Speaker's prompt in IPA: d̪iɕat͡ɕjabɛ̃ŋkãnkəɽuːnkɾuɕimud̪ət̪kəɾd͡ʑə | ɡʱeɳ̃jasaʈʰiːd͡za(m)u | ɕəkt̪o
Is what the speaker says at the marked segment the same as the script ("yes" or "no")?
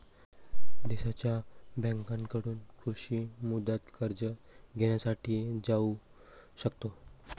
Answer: no